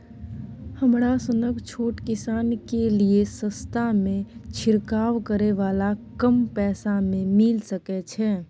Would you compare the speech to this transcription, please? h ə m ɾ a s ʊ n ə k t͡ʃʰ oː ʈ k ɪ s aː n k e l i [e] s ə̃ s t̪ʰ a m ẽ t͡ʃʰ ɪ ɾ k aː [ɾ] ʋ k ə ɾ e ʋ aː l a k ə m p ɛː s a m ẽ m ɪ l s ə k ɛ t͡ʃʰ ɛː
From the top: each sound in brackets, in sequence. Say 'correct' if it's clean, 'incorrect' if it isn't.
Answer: correct, incorrect

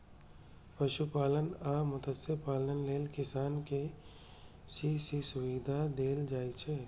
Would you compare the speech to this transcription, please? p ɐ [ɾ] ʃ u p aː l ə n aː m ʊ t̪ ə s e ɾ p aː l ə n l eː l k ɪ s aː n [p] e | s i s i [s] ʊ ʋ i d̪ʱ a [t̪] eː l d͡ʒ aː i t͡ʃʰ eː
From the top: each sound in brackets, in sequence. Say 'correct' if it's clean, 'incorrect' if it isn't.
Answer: incorrect, incorrect, correct, incorrect

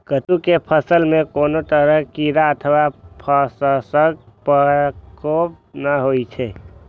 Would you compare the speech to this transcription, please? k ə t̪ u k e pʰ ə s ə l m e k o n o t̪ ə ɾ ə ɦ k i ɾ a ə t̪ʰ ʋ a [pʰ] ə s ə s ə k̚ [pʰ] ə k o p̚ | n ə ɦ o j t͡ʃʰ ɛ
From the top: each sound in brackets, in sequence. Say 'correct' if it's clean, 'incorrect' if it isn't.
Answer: correct, incorrect

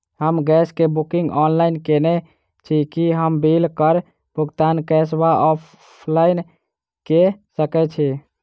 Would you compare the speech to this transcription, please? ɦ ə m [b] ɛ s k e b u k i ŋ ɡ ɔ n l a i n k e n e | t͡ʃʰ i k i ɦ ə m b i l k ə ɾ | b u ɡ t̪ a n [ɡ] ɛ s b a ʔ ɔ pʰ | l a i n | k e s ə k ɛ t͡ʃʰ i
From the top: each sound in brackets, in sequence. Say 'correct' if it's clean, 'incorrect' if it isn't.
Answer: incorrect, incorrect

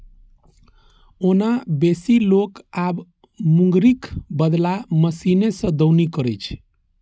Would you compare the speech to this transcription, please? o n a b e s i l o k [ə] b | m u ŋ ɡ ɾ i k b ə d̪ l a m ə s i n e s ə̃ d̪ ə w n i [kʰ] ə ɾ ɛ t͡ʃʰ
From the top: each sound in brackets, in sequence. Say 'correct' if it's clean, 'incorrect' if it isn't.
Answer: incorrect, incorrect

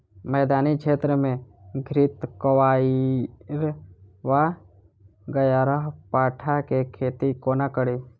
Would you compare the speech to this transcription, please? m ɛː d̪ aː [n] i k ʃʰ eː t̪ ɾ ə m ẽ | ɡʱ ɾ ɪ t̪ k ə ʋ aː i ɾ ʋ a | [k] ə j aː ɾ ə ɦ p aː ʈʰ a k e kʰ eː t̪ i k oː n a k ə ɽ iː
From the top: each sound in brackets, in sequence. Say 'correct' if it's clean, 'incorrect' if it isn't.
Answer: correct, incorrect

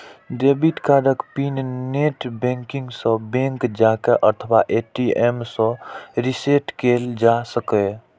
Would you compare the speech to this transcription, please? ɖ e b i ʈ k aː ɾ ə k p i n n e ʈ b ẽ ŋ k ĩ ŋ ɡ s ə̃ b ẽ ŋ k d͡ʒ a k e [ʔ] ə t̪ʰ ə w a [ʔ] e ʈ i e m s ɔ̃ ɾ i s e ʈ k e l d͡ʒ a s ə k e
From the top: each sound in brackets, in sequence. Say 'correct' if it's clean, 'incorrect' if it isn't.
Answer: correct, correct

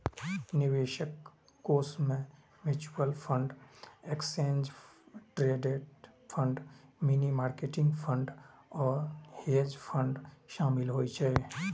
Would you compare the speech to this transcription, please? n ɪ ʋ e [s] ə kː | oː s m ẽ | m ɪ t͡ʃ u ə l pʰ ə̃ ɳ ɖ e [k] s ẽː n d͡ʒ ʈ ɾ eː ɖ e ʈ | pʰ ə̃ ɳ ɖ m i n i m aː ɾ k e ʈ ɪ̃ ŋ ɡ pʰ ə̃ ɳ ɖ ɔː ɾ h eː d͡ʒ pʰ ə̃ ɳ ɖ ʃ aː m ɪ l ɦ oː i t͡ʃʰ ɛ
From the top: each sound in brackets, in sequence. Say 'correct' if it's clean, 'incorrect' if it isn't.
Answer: incorrect, correct

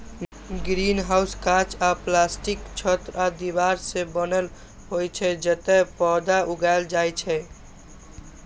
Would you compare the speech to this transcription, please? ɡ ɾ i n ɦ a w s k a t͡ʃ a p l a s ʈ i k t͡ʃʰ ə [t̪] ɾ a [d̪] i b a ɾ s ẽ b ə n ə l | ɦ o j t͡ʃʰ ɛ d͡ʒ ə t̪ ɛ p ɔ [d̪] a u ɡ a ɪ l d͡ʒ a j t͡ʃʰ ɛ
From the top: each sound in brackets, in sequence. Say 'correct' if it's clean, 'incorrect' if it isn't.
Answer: correct, correct, correct

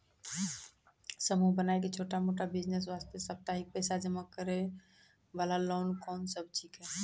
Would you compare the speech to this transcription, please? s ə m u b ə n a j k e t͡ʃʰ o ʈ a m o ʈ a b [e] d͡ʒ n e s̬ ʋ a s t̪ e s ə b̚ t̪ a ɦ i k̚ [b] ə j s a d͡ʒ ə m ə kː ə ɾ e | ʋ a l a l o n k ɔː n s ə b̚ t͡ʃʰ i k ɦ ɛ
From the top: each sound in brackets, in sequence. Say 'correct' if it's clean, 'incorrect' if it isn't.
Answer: incorrect, incorrect

